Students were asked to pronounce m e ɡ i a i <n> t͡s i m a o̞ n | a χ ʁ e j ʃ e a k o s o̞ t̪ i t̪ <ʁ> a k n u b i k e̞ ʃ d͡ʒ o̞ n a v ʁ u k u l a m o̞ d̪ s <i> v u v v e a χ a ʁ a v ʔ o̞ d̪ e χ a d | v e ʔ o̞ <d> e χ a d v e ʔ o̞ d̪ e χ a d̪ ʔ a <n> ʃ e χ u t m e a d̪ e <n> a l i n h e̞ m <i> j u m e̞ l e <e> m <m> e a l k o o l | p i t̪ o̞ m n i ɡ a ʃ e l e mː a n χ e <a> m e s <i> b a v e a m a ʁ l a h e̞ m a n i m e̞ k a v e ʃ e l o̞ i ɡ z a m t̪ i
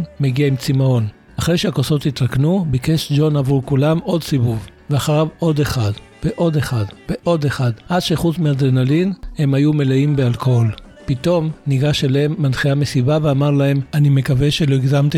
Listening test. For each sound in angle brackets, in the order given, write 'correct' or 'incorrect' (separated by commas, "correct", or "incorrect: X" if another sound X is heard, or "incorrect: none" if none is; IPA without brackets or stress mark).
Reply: incorrect: m, correct, correct, correct, incorrect: d, correct, incorrect: a, incorrect: i, incorrect: b, correct, correct